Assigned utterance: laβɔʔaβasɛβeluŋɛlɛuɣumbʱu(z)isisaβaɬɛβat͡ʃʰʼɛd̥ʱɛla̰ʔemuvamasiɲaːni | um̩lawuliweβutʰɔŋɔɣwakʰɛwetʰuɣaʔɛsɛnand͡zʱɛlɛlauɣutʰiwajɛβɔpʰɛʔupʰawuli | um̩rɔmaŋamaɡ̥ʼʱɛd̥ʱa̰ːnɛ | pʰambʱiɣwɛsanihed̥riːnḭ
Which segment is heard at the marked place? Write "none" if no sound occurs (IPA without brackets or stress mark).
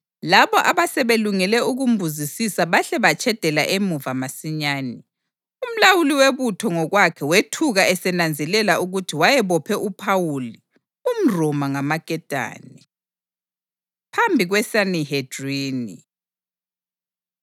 z